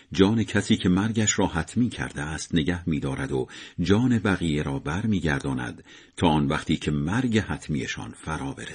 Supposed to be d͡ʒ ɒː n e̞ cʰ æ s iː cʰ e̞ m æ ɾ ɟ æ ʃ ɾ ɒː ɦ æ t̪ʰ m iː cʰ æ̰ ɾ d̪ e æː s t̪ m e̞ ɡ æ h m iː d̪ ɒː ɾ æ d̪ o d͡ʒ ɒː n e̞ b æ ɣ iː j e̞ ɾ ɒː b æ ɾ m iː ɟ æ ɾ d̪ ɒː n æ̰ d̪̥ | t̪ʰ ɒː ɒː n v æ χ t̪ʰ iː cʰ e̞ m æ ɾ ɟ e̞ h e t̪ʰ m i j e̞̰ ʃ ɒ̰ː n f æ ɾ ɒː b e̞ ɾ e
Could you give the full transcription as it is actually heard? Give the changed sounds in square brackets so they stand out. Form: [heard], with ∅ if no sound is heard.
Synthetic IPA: d͡ʒ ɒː n e̞ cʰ æ s iː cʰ e̞ m æ ɾ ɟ æ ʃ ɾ ɒː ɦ æ t̪ʰ m iː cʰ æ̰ ɾ d̪ e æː s t̪ [n] e̞ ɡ æ h m iː d̪ ɒː ɾ æ d̪ o d͡ʒ ɒː n e̞ b æ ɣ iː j e̞ ɾ ɒː b æ ɾ m iː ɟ æ ɾ d̪ ɒː n æ̰ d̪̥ | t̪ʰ ɒː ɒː n v æ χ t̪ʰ iː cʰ e̞ m æ ɾ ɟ e̞ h [æ] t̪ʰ m i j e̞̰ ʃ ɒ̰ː n f æ ɾ ɒː b e̞ ɾ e